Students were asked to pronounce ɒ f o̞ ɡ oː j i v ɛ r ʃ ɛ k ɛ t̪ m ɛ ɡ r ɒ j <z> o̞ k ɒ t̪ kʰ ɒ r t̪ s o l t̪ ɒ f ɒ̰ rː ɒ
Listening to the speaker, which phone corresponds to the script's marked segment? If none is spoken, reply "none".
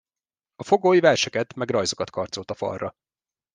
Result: z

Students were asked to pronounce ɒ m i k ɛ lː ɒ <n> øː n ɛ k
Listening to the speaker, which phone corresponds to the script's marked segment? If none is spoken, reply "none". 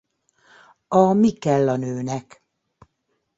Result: n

